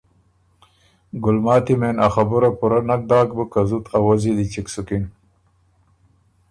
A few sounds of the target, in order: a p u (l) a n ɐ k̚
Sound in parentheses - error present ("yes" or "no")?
yes